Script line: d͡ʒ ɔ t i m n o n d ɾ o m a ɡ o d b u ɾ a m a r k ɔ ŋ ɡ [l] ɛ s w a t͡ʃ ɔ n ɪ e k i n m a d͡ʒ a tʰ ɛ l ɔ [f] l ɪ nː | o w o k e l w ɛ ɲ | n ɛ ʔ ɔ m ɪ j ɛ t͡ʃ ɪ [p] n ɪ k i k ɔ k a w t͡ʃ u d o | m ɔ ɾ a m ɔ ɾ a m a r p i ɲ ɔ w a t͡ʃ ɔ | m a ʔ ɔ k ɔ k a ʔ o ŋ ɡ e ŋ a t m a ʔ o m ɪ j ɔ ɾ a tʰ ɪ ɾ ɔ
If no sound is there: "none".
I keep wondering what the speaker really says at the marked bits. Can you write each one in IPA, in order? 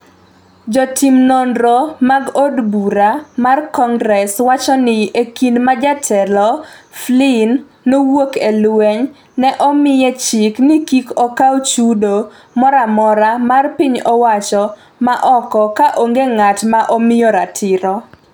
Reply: ɾ, f, k

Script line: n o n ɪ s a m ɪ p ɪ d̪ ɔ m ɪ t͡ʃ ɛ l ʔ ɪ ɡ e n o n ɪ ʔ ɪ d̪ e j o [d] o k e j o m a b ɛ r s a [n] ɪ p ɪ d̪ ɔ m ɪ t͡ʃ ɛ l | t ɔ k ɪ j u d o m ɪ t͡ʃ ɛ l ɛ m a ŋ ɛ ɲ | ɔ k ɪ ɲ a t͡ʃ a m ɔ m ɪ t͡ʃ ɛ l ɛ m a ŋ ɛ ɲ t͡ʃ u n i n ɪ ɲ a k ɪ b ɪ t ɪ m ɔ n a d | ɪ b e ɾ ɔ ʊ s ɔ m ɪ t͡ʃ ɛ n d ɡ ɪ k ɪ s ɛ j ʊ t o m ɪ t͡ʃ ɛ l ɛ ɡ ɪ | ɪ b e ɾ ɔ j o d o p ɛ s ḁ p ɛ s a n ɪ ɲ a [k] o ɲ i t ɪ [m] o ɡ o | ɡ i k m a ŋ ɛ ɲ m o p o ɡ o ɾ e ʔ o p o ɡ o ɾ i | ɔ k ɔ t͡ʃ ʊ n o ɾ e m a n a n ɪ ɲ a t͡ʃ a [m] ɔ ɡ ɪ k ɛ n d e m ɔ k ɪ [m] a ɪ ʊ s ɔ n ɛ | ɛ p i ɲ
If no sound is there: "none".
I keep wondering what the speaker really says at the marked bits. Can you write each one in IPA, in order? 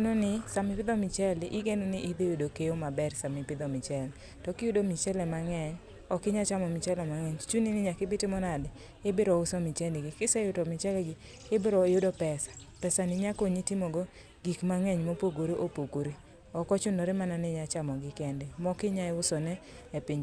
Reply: d, m, k, m, m, ɲ

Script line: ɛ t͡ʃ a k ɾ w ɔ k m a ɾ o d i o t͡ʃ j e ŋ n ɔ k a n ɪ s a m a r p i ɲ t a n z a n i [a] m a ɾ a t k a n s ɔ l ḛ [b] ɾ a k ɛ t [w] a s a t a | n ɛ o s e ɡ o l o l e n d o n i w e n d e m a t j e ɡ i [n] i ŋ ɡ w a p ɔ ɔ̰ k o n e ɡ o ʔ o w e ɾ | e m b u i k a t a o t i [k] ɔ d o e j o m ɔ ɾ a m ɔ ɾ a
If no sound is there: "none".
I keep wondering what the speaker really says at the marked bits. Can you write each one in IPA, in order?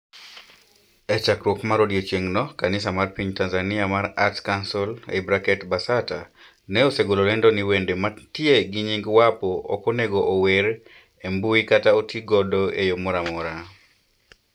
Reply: a, b, b, ɲ, ɡ

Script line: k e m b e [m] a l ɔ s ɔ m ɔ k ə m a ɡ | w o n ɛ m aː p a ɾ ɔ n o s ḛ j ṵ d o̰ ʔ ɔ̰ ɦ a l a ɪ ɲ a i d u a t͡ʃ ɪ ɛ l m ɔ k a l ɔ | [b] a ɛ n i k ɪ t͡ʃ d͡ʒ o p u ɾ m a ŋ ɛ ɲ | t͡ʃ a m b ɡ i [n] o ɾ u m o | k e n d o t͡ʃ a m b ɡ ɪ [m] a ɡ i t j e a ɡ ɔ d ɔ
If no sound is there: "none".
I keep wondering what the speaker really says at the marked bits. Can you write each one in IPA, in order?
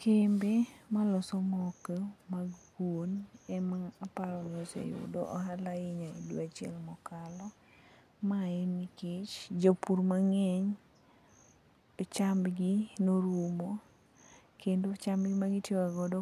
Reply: m, m, n, m

